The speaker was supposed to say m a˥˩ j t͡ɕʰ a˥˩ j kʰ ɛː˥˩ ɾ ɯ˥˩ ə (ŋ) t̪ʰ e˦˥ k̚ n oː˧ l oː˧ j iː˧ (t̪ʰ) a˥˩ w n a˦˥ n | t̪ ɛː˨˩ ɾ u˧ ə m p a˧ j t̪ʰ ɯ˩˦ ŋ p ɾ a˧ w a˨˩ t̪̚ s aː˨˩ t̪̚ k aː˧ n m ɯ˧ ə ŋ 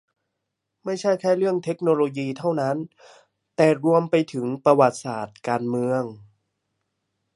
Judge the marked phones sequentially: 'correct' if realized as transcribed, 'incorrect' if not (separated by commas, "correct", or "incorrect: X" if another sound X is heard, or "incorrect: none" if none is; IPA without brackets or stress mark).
correct, correct